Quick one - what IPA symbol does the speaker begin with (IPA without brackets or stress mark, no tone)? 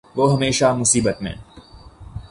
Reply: ʋ